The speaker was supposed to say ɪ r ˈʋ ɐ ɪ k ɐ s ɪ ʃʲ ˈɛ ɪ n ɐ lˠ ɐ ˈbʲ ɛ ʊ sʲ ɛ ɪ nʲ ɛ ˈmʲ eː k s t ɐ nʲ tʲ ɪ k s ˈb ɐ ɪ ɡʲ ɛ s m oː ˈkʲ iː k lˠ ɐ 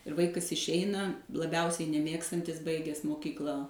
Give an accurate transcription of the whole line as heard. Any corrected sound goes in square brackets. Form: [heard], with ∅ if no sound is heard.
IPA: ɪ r ˈʋ ɐ ɪ k ɐ s ɪ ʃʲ ˈɛ ɪ n ɐ lˠ ɐ ˈbʲ ɛ ʊ sʲ ɛ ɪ nʲ ɛ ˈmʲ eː k s t ɐ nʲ tʲ ɪ [∅] s ˈb ɐ ɪ ɡʲ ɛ s m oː ˈkʲ iː k lˠ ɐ